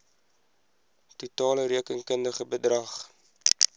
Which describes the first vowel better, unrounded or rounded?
rounded